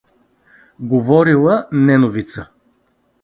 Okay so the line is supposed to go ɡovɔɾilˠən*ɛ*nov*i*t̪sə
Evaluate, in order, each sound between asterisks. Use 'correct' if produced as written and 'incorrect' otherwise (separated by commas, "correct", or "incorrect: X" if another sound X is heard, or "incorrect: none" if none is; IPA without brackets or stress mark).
correct, correct